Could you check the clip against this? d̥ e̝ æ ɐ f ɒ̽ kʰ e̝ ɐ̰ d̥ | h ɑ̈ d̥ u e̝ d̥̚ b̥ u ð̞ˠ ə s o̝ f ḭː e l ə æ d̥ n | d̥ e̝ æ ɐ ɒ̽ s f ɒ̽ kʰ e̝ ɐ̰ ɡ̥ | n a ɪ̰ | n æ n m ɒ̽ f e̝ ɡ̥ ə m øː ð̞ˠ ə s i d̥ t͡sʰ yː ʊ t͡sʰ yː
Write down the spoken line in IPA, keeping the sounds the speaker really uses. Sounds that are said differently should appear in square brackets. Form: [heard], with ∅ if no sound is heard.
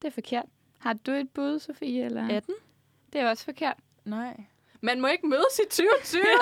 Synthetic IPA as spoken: d̥ e̝ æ ɐ f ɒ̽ kʰ e̝ ɐ̰ d̥ | h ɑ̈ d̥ u e̝ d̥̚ b̥ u ð̞ˠ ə s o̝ f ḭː e l [ɐ] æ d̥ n | d̥ e̝ æ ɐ ɒ̽ s f ɒ̽ kʰ e̝ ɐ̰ [d̥] | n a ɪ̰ | [m] æ n m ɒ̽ [∅] e̝ ɡ̥ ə m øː ð̞ˠ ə s i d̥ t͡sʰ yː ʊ t͡sʰ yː